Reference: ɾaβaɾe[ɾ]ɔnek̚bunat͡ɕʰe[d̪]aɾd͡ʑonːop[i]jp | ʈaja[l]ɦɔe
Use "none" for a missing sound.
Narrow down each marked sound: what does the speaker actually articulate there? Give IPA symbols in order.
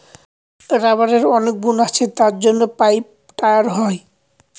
ɾ, t̪, a, ɾ

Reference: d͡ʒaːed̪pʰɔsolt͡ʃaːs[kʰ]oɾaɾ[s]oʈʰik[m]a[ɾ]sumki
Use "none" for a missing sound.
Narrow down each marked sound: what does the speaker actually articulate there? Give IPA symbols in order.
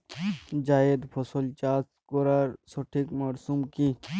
k, s, m, ɾ

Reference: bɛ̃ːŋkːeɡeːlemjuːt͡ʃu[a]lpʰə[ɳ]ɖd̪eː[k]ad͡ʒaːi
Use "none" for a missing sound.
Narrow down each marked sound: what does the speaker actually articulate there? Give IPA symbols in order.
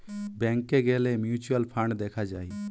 ə, ɳ, kʰ

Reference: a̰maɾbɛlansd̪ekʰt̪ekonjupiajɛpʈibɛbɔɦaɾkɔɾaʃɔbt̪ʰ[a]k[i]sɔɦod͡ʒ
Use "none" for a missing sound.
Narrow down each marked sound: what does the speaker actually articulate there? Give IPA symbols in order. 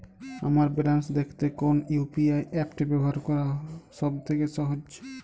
e, e

